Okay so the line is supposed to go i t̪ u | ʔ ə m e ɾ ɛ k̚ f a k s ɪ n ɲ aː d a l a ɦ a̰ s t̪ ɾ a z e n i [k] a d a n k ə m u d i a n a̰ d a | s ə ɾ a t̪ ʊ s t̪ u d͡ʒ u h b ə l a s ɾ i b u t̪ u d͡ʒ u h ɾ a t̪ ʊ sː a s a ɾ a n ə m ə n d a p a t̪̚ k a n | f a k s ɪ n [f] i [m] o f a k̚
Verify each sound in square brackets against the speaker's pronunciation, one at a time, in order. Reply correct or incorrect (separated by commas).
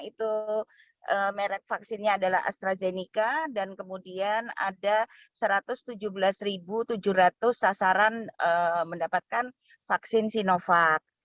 correct, incorrect, incorrect